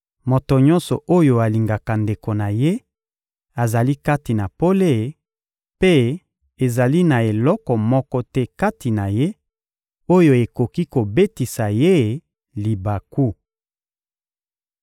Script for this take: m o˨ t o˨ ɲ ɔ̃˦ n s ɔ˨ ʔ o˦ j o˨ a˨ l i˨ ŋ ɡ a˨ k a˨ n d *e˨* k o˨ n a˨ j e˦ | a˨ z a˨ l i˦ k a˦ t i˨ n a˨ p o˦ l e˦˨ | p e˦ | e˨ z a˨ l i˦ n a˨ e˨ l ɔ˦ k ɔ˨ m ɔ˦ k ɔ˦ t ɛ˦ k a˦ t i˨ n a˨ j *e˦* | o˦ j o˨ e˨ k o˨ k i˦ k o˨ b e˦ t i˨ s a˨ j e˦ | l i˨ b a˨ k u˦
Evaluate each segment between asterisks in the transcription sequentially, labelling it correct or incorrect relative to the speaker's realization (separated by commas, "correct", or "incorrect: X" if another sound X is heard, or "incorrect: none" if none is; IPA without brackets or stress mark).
correct, correct